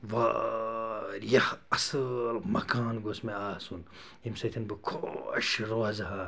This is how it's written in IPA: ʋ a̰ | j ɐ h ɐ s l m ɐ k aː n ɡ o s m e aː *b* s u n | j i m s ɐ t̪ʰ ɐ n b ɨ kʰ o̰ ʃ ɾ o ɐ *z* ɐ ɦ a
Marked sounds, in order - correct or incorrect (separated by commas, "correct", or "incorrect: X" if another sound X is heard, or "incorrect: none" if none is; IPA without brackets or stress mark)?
incorrect: none, correct